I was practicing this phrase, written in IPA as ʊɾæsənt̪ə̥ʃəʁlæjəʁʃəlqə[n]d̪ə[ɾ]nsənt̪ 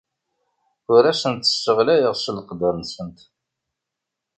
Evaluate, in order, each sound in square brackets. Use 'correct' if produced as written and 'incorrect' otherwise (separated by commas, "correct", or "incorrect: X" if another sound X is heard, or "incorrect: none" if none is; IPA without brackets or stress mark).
incorrect: none, correct